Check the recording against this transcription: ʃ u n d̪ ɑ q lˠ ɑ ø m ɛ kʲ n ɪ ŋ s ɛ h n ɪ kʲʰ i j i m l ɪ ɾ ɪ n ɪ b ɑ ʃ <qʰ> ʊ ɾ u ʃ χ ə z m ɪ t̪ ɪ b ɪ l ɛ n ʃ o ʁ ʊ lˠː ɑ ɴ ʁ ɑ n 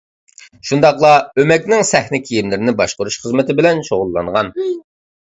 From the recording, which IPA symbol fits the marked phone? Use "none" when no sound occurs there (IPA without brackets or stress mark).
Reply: q